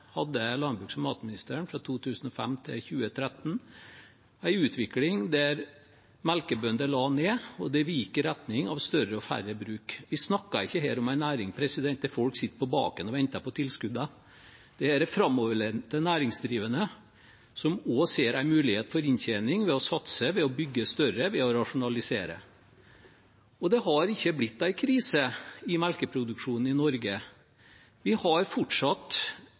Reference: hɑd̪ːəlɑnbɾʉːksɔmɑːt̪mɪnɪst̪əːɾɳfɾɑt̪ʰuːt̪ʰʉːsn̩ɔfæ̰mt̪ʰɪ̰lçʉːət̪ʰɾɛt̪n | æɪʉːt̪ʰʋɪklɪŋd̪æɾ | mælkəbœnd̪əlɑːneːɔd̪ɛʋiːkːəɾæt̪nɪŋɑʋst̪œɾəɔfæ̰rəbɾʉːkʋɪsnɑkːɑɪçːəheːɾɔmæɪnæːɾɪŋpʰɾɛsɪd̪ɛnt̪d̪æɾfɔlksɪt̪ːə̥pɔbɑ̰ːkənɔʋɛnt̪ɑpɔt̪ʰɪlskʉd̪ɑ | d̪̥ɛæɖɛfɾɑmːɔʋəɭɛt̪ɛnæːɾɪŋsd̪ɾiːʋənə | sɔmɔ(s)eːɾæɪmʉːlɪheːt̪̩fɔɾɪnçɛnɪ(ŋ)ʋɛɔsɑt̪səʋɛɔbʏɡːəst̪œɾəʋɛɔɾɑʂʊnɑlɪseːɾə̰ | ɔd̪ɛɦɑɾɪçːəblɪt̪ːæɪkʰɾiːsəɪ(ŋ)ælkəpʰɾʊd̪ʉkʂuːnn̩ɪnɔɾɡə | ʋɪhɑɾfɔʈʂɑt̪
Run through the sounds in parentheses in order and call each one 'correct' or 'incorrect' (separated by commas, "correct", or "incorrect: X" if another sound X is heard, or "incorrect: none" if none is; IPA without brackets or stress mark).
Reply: correct, correct, incorrect: m